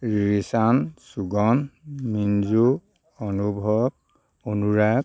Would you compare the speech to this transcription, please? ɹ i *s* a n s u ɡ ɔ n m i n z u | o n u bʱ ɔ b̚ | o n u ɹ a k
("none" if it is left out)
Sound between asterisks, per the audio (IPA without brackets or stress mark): s